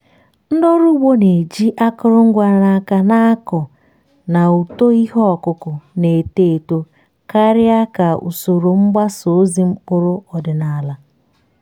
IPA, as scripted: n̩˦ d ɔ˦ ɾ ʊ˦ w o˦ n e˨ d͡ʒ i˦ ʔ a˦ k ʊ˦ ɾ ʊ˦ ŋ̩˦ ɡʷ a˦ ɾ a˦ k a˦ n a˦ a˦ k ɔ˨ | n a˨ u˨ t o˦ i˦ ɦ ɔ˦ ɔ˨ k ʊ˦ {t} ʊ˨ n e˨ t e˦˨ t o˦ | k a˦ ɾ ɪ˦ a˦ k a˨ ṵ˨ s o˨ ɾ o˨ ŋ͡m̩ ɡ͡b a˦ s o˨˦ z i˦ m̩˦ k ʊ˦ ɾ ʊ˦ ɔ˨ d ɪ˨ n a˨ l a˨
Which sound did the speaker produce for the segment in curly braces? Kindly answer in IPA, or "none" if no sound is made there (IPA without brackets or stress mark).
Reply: k